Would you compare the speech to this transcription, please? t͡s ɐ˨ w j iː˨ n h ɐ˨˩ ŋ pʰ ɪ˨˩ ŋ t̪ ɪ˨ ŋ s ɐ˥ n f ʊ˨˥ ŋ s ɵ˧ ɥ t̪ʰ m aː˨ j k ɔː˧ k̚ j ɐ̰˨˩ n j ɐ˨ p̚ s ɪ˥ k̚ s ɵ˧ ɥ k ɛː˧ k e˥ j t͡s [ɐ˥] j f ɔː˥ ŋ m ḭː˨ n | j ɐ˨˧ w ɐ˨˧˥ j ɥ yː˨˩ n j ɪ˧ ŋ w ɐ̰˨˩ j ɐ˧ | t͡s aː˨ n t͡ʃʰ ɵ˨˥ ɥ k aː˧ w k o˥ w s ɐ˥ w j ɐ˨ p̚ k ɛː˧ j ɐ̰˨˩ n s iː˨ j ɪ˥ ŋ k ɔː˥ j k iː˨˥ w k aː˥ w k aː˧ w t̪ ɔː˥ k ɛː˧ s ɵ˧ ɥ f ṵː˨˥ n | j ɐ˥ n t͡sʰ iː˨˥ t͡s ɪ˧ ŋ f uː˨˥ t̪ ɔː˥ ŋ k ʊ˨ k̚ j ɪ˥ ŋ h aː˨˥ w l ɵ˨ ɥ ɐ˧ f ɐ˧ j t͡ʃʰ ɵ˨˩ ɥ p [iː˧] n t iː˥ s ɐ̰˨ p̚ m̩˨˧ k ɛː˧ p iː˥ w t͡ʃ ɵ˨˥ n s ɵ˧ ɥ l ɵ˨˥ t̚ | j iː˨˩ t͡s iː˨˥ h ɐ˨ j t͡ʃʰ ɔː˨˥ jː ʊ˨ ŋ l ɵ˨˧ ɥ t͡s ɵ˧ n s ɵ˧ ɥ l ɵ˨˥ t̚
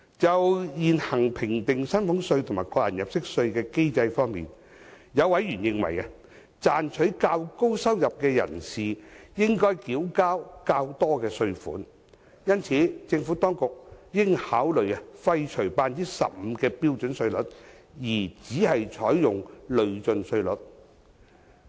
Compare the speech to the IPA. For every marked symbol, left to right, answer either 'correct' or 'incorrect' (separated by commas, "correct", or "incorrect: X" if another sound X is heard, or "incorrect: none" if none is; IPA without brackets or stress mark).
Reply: incorrect: ɐ˧, incorrect: aː˧